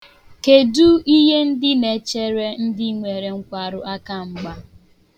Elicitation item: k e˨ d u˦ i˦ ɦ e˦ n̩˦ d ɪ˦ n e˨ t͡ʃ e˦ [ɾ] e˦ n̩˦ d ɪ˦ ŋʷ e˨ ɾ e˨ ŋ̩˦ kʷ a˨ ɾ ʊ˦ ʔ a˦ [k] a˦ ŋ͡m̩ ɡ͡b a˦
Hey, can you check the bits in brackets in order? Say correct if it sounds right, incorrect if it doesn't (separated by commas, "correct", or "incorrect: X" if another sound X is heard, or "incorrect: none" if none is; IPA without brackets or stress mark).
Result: correct, correct